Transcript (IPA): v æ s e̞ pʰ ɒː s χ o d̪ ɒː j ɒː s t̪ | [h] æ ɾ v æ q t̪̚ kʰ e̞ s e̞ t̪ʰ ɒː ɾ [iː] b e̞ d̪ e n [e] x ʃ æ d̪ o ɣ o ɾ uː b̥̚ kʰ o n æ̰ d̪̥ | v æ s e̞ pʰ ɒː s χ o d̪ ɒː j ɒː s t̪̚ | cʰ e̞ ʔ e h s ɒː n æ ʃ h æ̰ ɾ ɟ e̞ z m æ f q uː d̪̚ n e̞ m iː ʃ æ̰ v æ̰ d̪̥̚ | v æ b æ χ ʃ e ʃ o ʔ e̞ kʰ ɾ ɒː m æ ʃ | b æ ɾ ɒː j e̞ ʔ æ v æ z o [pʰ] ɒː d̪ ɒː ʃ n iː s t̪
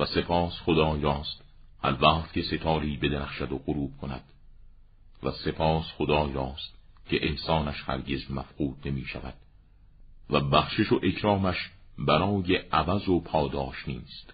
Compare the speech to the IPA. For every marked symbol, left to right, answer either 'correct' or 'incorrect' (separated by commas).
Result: correct, correct, incorrect, correct